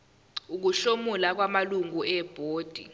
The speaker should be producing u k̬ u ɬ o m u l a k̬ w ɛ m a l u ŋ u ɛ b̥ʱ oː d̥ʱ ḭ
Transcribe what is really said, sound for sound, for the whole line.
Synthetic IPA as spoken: u k̬ u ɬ o m u l a k̬ w a m a l u ŋ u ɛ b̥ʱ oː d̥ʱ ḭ